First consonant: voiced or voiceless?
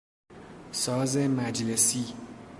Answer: voiceless